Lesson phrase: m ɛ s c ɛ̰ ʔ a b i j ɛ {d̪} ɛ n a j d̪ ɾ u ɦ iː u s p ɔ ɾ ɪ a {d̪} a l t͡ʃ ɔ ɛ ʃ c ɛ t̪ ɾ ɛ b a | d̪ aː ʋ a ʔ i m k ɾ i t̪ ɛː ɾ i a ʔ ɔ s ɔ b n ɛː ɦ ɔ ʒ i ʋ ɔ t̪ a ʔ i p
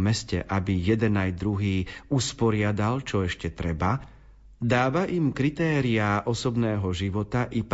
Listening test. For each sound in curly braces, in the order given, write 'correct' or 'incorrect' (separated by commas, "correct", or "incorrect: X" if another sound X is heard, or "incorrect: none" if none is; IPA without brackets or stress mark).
correct, correct